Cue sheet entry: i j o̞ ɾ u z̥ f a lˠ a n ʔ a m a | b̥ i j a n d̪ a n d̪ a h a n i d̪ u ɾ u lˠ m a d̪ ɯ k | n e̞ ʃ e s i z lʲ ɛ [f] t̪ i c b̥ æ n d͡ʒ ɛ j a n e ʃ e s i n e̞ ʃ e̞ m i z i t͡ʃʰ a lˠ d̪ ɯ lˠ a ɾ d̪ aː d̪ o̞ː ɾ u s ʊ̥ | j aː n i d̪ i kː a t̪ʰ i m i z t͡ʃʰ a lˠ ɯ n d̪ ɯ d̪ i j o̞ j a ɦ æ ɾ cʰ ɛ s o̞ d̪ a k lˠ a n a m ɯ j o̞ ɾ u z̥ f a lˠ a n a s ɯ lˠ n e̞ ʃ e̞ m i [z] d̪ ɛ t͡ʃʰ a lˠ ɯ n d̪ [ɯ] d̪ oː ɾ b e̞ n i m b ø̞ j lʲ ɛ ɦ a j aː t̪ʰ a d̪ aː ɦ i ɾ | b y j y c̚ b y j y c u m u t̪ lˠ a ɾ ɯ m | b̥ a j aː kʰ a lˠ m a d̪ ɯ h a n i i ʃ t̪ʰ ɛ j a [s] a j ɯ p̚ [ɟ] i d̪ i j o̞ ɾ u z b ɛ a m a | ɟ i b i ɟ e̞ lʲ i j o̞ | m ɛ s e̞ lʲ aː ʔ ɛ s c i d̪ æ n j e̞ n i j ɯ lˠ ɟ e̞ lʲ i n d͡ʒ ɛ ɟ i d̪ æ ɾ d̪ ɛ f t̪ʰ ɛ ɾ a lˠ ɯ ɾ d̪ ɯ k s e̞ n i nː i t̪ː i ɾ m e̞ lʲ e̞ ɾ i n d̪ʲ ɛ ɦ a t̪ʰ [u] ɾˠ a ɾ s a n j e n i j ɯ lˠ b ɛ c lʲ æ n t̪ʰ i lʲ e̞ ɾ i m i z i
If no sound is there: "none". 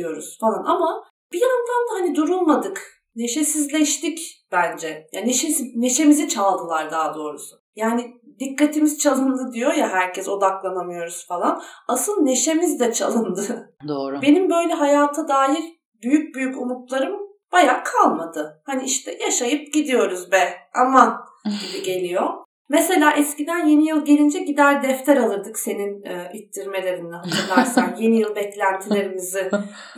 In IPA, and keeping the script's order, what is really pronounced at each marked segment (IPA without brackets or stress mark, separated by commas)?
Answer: ʃ, z, ɯ, ʃ, ɟ, ɯ